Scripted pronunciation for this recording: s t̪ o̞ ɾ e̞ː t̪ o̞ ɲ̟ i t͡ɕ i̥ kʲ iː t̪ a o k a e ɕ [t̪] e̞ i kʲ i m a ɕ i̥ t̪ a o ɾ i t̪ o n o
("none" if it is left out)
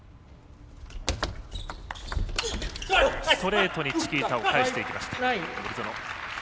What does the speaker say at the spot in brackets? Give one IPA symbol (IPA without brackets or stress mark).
t̪